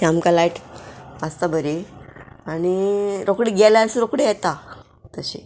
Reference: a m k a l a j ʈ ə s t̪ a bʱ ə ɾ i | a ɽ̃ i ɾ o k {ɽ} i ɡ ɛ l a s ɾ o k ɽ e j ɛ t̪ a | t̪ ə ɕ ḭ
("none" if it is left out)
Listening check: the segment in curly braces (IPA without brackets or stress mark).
ɽ